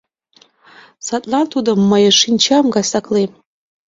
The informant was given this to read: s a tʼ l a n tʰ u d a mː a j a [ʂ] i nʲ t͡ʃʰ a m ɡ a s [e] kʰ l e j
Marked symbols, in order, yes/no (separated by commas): yes, no